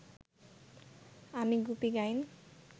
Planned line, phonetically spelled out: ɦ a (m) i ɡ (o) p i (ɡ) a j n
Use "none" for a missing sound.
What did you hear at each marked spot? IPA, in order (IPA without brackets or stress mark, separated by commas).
m, u, ɡ